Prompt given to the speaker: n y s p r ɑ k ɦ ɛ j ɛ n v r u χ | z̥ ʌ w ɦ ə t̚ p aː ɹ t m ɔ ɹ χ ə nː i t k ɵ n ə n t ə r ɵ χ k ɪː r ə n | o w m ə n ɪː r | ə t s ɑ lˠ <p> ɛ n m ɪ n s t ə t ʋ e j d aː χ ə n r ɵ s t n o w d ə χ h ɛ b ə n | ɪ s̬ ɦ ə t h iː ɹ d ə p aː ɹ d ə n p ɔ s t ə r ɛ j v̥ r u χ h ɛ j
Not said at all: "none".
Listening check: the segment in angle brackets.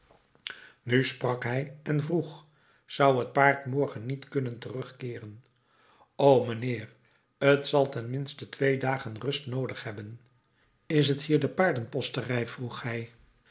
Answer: t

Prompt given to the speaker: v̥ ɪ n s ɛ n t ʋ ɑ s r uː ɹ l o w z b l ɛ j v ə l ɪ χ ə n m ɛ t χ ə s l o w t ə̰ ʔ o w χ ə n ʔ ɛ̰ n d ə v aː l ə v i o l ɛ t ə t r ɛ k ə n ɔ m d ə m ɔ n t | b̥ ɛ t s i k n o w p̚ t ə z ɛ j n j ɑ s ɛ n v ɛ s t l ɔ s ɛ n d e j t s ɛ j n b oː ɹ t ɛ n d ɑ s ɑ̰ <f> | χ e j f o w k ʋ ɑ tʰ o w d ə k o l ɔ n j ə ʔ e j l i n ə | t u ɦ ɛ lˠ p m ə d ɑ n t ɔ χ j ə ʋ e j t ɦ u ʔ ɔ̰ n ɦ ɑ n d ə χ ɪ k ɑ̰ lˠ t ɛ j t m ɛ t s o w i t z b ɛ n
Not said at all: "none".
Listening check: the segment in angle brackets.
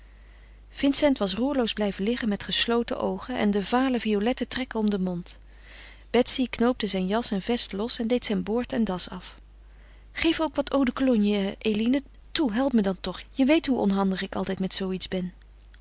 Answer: f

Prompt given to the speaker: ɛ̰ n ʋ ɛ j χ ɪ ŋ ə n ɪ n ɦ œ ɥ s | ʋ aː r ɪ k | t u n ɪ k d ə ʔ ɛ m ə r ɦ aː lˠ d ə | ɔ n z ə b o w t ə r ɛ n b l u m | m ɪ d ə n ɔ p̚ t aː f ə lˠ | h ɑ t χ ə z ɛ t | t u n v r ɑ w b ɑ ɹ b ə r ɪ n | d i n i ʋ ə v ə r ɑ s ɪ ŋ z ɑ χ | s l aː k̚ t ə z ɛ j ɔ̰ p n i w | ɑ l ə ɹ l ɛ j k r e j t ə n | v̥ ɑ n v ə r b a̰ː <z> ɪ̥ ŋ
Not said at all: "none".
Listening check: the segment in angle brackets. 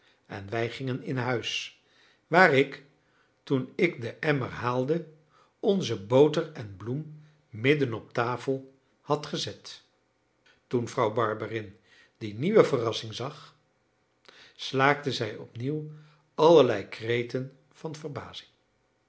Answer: z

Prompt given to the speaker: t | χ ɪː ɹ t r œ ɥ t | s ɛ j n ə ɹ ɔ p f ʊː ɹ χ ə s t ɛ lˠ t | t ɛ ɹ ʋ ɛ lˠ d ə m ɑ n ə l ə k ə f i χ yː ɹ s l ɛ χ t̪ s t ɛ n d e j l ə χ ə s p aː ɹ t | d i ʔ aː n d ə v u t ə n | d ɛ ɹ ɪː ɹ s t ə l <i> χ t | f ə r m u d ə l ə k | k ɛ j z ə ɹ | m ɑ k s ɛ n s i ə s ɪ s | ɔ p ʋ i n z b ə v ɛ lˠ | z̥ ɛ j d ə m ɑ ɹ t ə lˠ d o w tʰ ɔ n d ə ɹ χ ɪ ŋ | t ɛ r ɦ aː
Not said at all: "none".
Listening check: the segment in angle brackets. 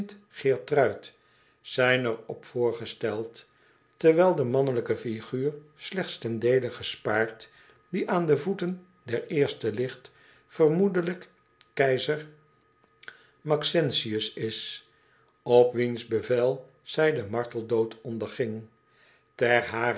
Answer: ɪ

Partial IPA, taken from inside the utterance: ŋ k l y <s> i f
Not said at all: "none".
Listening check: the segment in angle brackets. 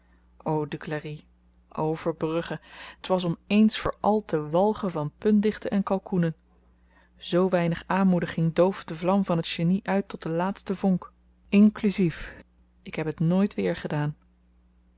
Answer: z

